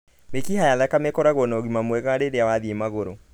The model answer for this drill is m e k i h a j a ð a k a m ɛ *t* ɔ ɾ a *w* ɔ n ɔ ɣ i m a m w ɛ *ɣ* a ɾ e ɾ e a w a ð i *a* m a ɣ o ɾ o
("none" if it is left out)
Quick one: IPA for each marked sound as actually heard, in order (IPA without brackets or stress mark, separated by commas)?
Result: k, ɣ, ɣ, e